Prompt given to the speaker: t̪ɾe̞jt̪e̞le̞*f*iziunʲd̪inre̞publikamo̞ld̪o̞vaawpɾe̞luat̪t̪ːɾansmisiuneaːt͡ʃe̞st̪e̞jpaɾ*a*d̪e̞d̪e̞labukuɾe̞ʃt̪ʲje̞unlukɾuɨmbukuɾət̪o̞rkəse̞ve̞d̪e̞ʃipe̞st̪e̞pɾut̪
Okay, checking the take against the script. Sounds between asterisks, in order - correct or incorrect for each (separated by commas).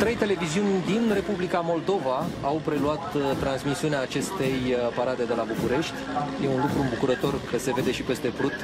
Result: incorrect, correct